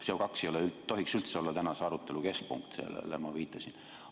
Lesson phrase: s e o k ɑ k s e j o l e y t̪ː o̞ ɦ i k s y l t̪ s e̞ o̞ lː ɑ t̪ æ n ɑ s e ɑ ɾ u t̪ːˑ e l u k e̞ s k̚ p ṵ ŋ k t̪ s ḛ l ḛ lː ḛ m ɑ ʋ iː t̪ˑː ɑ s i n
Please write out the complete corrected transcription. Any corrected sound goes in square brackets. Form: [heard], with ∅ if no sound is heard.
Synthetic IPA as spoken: s e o k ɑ k s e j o l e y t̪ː o̞ ɦ i k s y l t̪ s e̞ o̞ lː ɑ t̪ æ n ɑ s e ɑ ɾ u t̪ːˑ e l u k e̞ s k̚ p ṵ ŋ k t̪ s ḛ l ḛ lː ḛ m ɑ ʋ iː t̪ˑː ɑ s i n